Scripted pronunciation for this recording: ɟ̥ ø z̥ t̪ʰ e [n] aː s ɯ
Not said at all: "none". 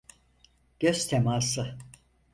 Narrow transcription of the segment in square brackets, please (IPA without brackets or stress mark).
m